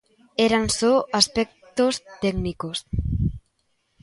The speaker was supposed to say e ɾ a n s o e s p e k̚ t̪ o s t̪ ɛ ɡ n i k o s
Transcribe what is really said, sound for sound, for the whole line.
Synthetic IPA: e ɾ a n s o a s p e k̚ t̪ o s t̪ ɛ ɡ n i k o s